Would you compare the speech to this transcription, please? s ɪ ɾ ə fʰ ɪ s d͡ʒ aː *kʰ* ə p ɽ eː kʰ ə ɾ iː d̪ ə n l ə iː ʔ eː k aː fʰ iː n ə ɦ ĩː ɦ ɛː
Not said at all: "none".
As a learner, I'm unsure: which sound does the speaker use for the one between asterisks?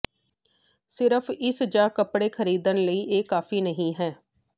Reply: k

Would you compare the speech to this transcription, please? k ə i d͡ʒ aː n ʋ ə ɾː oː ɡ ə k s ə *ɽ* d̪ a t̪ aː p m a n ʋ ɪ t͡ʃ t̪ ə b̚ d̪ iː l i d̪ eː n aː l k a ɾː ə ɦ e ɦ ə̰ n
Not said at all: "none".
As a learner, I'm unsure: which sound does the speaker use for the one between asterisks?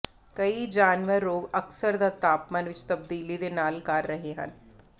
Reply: ɾ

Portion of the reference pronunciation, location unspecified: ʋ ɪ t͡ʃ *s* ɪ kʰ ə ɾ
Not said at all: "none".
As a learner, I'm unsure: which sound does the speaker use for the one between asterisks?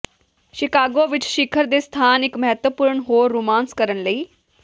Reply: ʃ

